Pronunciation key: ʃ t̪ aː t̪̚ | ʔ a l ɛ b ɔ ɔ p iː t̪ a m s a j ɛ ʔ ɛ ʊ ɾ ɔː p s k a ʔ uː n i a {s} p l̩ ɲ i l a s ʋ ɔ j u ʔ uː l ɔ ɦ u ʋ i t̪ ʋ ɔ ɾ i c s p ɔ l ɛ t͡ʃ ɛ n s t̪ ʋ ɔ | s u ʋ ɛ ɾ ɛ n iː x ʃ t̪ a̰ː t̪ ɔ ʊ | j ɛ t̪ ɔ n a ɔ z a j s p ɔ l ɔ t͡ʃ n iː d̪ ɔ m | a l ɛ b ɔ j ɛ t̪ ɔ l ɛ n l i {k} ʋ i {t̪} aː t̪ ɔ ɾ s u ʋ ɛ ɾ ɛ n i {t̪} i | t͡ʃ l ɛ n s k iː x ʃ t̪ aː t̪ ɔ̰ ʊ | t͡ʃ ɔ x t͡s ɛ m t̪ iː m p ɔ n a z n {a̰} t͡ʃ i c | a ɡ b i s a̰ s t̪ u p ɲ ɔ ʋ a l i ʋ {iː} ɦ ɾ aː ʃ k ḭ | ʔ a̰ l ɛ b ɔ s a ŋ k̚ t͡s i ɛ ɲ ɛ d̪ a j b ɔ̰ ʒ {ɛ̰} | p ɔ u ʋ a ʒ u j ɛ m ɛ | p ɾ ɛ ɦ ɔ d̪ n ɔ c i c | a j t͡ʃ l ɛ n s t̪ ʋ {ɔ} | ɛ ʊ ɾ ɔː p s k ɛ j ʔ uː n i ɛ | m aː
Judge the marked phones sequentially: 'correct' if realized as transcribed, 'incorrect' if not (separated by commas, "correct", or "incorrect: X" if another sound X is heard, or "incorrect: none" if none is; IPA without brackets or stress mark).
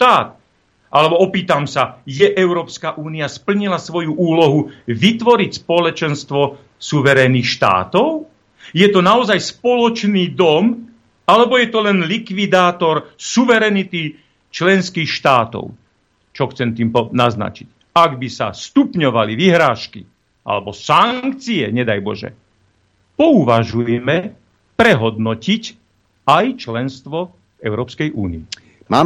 correct, correct, incorrect: d̪, correct, correct, incorrect: i, correct, correct